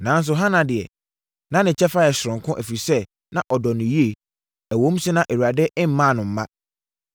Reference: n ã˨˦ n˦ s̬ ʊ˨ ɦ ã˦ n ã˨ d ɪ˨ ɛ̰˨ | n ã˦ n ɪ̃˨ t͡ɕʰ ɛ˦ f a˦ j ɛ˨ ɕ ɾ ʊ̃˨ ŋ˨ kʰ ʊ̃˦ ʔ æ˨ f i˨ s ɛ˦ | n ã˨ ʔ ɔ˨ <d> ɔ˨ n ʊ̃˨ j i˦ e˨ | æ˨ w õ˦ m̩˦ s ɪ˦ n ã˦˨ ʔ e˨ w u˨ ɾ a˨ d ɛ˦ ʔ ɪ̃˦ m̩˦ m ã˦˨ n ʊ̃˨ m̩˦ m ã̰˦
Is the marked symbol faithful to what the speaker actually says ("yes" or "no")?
yes